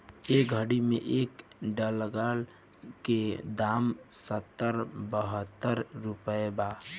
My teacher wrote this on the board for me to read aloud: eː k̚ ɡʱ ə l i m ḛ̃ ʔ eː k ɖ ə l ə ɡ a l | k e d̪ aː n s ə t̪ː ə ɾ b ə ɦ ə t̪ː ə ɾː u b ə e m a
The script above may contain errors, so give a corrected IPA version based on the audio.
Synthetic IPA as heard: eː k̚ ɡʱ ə ɽ i m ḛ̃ ʔ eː k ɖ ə l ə ɡ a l | k e d̪ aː m s ə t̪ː ə ɾ b ə ɦ ə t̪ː ə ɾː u p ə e b a